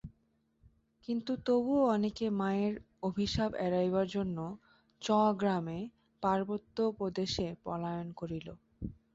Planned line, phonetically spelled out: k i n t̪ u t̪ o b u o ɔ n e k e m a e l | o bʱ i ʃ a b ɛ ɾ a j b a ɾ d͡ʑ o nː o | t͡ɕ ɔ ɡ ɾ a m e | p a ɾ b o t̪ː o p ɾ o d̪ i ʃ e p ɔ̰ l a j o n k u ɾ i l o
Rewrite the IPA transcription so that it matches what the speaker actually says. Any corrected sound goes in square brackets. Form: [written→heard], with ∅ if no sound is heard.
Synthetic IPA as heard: k i n t̪ u t̪ o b u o ɔ n e k e m a e [l→ɾ] | o bʱ i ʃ a b ɛ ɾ a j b a ɾ d͡ʑ o nː o | t͡ɕ ɔ ɡ ɾ a m e | p a ɾ b o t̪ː o p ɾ o d̪ [i→e] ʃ e p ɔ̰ l a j o n k [u→o] ɾ i l o